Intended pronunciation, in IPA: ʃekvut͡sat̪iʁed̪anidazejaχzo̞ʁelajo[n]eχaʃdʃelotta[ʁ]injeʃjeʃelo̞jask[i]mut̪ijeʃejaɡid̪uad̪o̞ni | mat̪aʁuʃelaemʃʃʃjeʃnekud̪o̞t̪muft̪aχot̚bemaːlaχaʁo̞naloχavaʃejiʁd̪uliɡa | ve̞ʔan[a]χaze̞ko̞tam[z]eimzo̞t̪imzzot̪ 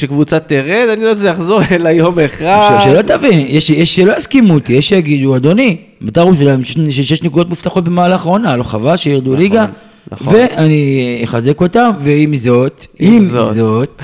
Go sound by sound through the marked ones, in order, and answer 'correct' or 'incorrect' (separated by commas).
incorrect, incorrect, correct, incorrect, incorrect